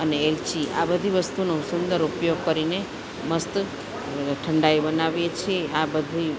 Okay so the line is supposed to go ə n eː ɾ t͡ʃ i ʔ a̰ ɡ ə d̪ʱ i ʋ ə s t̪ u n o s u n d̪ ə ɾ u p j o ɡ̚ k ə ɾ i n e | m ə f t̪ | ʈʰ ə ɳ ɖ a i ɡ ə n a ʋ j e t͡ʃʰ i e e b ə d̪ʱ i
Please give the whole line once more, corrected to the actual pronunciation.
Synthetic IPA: ə n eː l t͡ʃ i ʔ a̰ b ə d̪ʱ i ʋ ə s t̪ u n o s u n d̪ ə ɾ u p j o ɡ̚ k ə ɾ i n e | m ə s t̪ | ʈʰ ə ɳ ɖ a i b ə n a ʋ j e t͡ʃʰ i e a b ə d̪ʱ i

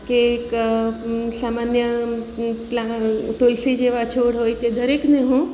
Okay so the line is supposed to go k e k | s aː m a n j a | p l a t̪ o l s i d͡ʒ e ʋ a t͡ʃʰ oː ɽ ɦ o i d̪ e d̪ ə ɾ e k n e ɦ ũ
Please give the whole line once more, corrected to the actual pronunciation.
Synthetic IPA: k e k | s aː m a n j ə | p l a t̪ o l s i d͡ʒ e ʋ a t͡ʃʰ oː ɽ ɦ o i t̪ e d̪ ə ɾ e k n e ɦ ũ

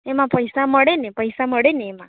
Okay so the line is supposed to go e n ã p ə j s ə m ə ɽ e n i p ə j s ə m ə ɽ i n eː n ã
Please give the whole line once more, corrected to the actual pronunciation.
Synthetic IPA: e m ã p ə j s a m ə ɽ e n e p ə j s a m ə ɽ e n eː m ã

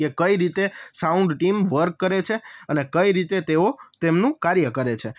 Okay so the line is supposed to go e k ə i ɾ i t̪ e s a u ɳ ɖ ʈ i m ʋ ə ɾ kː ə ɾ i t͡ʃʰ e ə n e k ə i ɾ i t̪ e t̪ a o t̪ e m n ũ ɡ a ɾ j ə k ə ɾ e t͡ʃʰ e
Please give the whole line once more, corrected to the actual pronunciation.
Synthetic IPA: e k ə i ɾ i t̪ e s a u ɳ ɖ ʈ i m ʋ ə ɾ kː ə ɾ e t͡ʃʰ e ə n e k ə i ɾ i t̪ e t̪ e o t̪ e m n ũ k a ɾ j ə k ə ɾ e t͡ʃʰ e

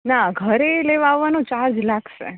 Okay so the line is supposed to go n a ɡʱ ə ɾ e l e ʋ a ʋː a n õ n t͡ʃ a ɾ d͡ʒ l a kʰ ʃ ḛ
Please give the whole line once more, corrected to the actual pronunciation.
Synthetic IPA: n a ɡʱ ə ɾ e l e ʋ a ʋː a n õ t͡ʃ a ɾ d͡ʒ l a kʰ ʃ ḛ

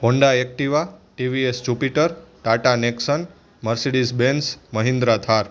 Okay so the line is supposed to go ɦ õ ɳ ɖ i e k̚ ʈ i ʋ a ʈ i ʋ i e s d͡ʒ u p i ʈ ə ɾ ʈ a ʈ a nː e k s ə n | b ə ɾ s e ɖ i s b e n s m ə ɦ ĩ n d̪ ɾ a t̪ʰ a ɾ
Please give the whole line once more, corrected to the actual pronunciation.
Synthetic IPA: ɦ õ ɳ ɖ a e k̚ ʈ i ʋ a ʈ i ʋ i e s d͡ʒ u p i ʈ ə ɾ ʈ a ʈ a n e k s ə n | m ə ɾ s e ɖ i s b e n s m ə ɦ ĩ n d̪ ɾ a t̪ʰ a ɾ

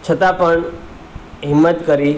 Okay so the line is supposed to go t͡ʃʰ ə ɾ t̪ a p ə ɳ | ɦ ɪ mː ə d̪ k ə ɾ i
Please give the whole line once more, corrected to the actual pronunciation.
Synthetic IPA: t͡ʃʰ ə t̪ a p ə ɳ | ɦ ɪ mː ə t̪ k ə ɾ i

